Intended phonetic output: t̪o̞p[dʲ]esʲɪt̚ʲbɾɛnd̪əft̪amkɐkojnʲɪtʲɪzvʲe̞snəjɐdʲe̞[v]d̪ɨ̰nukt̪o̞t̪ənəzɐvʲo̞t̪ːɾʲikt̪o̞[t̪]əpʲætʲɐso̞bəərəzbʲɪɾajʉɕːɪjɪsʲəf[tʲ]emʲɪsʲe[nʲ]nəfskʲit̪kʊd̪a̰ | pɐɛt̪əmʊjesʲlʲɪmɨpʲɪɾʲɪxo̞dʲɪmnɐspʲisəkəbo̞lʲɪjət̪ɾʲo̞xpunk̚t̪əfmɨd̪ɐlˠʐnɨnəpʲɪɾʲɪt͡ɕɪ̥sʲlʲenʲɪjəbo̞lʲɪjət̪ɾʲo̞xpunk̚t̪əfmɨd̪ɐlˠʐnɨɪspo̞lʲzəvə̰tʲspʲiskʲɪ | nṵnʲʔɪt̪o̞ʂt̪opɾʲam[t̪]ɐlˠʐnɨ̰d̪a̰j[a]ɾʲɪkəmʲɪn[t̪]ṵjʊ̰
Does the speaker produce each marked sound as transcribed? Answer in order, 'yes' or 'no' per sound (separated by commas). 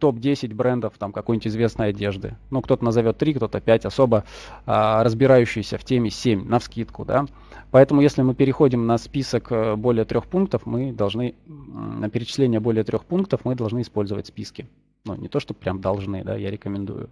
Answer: yes, no, yes, yes, no, no, yes, no